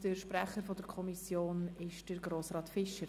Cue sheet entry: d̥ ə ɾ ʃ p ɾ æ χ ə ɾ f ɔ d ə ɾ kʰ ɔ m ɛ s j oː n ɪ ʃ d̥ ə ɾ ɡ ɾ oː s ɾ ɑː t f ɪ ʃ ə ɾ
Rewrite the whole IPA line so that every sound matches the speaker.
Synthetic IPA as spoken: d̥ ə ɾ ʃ p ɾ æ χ ə ɾ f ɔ d ə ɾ kʰ ɔ m i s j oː n ɪ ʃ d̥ ə ɾ ɡ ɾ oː s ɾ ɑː t f ɪ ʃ ə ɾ